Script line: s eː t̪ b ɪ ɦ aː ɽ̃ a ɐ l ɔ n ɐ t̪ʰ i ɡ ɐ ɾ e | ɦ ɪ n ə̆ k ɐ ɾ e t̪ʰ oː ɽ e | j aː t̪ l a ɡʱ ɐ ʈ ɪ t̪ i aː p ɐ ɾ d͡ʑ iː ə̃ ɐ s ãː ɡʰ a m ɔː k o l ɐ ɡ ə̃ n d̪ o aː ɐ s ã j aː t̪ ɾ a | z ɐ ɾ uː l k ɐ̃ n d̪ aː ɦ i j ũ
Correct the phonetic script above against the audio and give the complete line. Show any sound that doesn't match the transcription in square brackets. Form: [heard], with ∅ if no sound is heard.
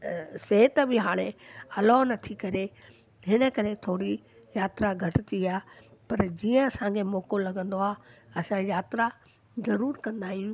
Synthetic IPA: s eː t̪ b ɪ ɦ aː ɽ̃ [e] ɐ l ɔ n ɐ t̪ʰ i [k] ɐ ɾ e | ɦ ɪ n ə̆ k ɐ ɾ e t̪ʰ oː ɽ [i] | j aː t̪ [ɾ] a ɡʱ ɐ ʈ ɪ t̪ i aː p ɐ ɾ d͡ʑ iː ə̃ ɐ s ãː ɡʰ [e] m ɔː k o l ɐ ɡ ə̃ n d̪ o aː ɐ s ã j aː t̪ ɾ a | z ɐ ɾ uː [ɾ] k ɐ̃ n d̪ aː ɦ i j ũ

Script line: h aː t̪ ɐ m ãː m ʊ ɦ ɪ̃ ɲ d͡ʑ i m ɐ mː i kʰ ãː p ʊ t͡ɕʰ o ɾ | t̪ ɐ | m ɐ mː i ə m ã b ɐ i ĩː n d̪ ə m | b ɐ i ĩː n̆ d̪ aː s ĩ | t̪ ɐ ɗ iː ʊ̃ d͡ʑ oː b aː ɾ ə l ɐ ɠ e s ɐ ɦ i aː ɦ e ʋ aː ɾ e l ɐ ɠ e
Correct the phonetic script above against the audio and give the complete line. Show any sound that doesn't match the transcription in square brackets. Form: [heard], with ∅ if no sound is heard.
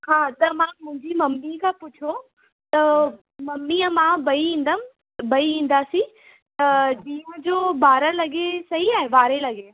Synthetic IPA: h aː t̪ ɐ m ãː m [ʊ̃] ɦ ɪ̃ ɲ d͡ʑ i m ɐ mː i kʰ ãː p ʊ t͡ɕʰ o [∅] | t̪ ɐ | m ɐ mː i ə m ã b ɐ i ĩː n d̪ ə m | b ɐ i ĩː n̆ d̪ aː s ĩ | t̪ ɐ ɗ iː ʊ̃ d͡ʑ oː b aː ɾ ə l ɐ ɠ e s ɐ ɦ i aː ɦ e ʋ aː ɾ e l ɐ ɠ e

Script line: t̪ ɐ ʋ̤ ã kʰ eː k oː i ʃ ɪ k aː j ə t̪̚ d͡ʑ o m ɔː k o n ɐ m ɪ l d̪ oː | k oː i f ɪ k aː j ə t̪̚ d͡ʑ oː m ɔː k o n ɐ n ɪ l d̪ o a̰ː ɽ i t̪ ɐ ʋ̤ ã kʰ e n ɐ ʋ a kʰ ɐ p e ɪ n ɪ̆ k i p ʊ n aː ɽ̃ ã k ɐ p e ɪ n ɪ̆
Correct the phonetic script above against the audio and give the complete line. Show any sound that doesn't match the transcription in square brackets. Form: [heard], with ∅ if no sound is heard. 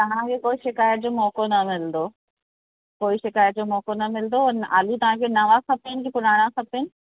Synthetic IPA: t̪ ɐ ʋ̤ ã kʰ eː k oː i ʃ ɪ k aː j ə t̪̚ d͡ʑ o m ɔː k o n ɐ m ɪ l d̪ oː | k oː i [ʃ] ɪ k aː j ə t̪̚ d͡ʑ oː m ɔː k o n ɐ [m] ɪ l d̪ o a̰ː [l] i t̪ ɐ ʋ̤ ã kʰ e n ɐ ʋ a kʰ ɐ p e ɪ n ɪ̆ k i p ʊ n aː ɽ̃ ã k ɐ p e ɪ n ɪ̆

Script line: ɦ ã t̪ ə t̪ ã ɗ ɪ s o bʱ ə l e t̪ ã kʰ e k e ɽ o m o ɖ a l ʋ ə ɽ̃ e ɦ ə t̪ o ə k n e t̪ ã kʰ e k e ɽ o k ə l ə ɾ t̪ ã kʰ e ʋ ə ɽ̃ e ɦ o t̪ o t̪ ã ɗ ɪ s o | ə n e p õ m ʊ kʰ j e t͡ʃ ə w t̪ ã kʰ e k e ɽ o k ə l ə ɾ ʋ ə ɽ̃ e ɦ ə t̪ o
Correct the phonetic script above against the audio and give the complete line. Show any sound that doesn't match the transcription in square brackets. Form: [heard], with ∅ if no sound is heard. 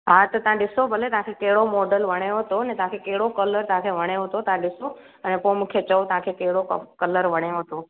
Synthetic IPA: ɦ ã t̪ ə t̪ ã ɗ ɪ s o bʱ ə l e t̪ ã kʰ e k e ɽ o m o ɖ [ə] l ʋ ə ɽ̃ e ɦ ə t̪ o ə [∅] n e t̪ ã kʰ e k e ɽ o k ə l ə ɾ t̪ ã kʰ e ʋ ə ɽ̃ e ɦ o t̪ o t̪ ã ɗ ɪ s o | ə n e p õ m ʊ kʰ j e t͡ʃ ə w t̪ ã kʰ e k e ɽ o k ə l ə ɾ ʋ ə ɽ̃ e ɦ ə t̪ o

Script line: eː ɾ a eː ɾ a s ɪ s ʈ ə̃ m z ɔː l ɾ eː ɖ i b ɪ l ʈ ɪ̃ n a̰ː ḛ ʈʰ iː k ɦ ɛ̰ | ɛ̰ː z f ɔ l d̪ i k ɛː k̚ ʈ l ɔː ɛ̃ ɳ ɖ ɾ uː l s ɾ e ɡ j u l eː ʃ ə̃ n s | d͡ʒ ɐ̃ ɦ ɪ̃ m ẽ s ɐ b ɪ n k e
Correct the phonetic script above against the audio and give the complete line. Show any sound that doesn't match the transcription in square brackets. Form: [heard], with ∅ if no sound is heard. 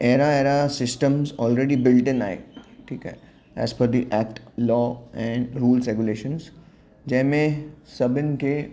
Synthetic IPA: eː ɾ a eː ɾ a s ɪ s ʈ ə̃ m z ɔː l ɾ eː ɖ i b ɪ l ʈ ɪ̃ n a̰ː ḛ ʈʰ iː k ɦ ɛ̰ | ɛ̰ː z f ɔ [ɾ] d̪ i [ʔ] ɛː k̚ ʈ l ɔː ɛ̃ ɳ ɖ ɾ uː l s ɾ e ɡ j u l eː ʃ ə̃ n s | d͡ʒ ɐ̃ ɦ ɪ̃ m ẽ s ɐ b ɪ n k e

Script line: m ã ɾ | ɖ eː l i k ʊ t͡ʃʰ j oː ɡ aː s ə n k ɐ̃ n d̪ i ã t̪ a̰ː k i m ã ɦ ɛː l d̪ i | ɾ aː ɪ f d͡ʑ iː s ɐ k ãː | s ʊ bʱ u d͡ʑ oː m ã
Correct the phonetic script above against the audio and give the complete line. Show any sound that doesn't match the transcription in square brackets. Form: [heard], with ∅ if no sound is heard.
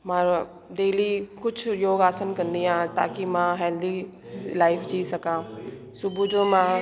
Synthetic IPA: m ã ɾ | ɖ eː l i k ʊ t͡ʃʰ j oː ɡ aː s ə n k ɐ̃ n d̪ i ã t̪ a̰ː k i m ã ɦ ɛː l d̪ i | [l] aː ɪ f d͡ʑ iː s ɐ k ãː | s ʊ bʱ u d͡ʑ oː m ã

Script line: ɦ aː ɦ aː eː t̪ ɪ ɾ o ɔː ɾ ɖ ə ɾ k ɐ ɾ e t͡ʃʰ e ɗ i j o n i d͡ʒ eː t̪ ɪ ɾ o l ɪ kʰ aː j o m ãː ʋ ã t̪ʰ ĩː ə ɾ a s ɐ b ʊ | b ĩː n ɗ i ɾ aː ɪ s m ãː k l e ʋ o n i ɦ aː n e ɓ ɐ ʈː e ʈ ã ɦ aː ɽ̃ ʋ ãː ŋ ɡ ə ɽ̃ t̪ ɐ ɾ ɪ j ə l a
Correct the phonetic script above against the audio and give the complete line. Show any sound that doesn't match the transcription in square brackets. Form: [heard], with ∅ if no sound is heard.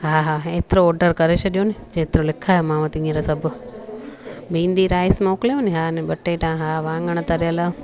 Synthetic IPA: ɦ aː ɦ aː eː t̪ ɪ ɾ o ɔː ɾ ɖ ə ɾ k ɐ ɾ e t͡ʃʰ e ɗ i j o n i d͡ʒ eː t̪ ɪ ɾ o l ɪ kʰ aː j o m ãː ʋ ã [t̪] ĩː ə ɾ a s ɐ b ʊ | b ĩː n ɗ i ɾ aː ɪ s m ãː k l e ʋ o n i ɦ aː n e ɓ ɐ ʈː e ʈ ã ɦ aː [∅] ʋ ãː ŋ ɡ ə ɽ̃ t̪ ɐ ɾ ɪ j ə l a

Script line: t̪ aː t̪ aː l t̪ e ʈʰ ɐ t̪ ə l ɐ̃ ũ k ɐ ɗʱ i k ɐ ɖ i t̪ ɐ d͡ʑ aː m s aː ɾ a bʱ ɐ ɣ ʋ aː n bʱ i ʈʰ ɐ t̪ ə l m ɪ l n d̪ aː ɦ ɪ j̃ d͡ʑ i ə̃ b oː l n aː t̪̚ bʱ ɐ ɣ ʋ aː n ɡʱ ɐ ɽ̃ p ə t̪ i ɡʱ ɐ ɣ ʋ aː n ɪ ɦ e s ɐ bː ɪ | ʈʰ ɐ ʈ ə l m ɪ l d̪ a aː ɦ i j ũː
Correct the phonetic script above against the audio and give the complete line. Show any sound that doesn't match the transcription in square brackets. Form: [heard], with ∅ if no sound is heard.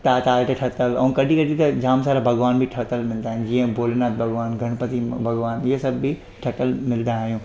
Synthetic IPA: t̪ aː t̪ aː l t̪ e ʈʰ ɐ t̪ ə l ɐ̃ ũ k ɐ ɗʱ i k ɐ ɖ i t̪ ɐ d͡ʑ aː m s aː ɾ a bʱ ɐ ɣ ʋ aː n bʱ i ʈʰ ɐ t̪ ə l m ɪ l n d̪ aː ɦ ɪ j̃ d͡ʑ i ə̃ b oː l n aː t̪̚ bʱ ɐ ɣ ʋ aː n ɡʱ ɐ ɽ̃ p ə t̪ i [bʱ] ɐ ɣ ʋ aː n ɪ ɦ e s ɐ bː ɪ | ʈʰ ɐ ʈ ə l m ɪ l d̪ a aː ɦ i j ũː

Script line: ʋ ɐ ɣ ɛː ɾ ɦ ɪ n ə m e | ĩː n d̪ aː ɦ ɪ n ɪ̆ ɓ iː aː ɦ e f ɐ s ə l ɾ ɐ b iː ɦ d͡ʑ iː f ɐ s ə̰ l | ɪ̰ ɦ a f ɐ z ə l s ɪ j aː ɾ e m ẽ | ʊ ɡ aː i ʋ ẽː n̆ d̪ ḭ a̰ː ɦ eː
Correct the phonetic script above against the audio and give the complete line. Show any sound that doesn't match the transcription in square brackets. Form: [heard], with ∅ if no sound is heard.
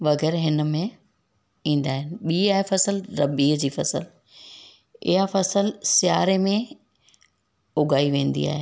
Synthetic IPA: ʋ ɐ ɣ ɛː ɾ ɦ ɪ n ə m [ẽ] | ĩː n d̪ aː ɦ ɪ n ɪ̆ ɓ iː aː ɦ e f ɐ s ə l ɾ ɐ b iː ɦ d͡ʑ iː f ɐ s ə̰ l | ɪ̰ ɦ a f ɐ [s] ə l s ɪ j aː ɾ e m ẽ | ʊ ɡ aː i ʋ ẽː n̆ d̪ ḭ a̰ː ɦ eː

